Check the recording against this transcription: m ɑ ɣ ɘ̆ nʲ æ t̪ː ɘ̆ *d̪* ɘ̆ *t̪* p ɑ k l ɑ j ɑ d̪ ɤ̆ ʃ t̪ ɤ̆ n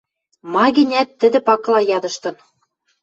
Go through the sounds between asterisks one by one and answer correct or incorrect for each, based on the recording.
correct, incorrect: none

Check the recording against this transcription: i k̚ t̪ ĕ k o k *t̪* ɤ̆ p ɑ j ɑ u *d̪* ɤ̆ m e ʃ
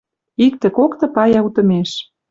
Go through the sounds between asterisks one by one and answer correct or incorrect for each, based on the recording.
correct, incorrect: t̪

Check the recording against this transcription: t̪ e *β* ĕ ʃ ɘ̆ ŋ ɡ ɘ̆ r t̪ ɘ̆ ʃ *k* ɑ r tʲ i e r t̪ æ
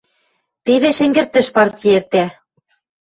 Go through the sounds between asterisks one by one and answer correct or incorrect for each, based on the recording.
correct, incorrect: p

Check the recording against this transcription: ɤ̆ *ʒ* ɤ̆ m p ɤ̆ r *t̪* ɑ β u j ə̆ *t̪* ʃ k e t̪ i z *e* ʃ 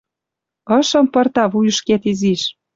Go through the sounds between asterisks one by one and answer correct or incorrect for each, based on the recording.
incorrect: ʃ, correct, incorrect: none, incorrect: i

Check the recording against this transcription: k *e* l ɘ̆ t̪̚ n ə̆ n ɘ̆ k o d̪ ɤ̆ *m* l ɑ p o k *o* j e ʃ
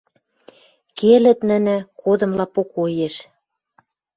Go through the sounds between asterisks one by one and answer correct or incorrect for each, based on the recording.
correct, correct, correct

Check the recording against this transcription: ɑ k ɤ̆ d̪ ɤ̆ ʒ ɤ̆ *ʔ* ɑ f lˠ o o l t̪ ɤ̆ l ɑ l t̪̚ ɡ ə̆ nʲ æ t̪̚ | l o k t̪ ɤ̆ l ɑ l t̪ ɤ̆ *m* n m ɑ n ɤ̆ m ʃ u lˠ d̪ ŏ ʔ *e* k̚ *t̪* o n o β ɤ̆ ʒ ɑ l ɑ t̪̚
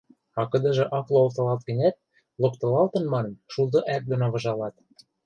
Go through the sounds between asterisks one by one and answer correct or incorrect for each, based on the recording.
correct, incorrect: none, incorrect: æ, incorrect: d̪

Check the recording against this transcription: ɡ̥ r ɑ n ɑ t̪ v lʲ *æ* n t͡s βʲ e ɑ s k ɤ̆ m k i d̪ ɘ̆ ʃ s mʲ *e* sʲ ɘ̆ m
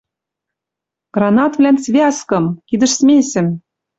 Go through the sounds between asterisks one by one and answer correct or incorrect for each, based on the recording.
correct, correct

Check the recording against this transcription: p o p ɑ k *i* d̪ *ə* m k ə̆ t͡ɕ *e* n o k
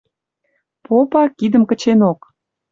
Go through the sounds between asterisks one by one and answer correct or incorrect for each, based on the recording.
correct, correct, correct

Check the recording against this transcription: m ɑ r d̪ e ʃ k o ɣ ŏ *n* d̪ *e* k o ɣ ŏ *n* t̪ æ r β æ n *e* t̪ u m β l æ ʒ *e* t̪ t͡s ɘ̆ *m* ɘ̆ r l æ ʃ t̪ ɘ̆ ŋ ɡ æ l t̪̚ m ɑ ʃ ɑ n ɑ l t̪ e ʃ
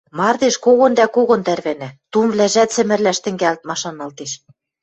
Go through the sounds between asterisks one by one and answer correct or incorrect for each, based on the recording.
correct, incorrect: æ, correct, incorrect: æ, incorrect: æ, correct

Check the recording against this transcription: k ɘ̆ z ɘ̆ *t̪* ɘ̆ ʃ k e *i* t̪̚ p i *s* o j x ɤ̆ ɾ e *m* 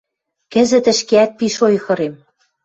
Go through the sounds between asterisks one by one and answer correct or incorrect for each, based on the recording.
correct, incorrect: æ, incorrect: ʃ, correct

